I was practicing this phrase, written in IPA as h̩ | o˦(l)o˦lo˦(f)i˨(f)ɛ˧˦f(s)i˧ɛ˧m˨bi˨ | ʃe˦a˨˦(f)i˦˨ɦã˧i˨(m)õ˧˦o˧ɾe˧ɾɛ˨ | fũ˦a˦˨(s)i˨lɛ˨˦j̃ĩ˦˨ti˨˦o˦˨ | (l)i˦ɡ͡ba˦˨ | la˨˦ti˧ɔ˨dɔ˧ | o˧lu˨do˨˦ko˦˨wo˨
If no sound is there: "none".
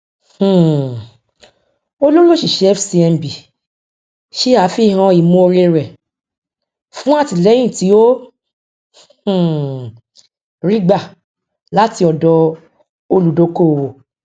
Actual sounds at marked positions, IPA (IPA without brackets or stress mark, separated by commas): l, ʃ, ʃ, s, f, m, t, ɾ